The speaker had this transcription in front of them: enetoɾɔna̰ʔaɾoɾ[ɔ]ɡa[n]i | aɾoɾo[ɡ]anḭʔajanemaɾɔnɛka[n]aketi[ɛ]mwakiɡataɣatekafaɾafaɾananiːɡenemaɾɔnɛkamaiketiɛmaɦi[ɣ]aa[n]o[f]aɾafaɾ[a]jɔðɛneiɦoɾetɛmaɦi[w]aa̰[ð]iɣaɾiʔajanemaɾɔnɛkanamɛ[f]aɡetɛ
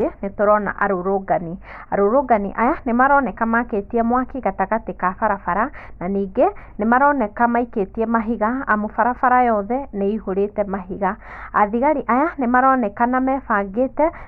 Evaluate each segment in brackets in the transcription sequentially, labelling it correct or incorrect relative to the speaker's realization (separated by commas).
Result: incorrect, correct, correct, incorrect, correct, correct, incorrect, correct, correct, incorrect, correct, correct